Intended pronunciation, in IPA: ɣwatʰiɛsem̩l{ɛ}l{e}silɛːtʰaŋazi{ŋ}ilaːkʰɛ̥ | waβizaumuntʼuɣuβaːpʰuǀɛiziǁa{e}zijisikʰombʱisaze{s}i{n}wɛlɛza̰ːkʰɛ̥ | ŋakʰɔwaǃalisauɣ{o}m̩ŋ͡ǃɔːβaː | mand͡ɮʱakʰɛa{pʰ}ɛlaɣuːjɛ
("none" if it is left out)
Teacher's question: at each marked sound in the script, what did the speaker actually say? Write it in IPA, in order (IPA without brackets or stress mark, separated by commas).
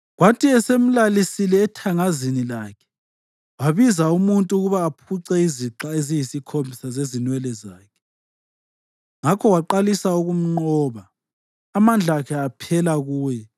a, i, n, e, z, n, u, pʰ